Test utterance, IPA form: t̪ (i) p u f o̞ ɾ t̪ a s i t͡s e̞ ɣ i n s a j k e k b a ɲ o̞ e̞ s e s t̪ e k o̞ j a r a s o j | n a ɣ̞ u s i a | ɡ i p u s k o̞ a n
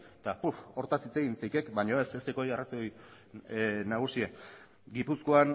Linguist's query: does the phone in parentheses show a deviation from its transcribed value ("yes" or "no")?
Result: yes